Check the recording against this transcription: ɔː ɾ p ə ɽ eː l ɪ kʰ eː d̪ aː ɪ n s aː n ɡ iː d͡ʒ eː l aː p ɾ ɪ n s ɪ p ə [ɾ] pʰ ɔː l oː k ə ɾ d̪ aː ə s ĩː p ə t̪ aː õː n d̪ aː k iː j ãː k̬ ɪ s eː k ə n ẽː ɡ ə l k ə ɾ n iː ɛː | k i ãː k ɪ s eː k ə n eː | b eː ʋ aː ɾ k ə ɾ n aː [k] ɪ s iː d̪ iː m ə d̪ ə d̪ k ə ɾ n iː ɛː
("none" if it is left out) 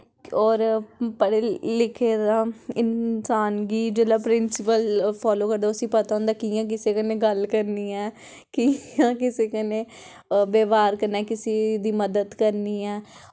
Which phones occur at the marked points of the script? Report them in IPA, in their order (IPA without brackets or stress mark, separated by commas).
l, k